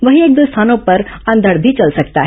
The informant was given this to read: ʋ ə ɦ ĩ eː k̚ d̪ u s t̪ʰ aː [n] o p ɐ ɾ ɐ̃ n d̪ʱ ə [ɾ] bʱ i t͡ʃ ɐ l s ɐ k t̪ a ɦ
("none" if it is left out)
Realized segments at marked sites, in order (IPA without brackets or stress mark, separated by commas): n, ɽ